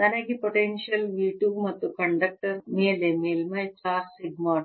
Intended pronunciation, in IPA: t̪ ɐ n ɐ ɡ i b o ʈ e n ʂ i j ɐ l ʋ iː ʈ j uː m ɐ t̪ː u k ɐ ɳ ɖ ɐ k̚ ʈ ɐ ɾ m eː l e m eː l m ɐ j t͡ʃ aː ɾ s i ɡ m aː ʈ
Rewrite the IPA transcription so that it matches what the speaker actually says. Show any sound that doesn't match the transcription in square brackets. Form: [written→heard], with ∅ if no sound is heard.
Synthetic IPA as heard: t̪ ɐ n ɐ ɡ i [b→p] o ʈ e n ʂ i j ɐ l ʋ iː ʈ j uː m ɐ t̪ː u k ɐ ɳ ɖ ɐ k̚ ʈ ɐ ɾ m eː l e m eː l m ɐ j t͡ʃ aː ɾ s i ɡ m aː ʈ